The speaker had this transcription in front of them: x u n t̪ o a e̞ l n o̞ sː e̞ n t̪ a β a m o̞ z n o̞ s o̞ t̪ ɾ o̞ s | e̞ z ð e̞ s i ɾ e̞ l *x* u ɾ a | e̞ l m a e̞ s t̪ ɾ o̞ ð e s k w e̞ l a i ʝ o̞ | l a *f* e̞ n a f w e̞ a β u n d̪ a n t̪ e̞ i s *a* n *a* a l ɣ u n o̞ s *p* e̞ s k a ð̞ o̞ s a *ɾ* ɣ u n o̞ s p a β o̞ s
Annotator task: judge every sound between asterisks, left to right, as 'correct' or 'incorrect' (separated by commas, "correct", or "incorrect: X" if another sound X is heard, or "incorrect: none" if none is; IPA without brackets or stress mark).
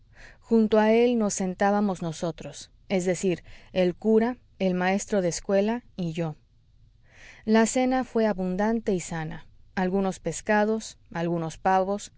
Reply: incorrect: k, incorrect: s, correct, correct, correct, incorrect: l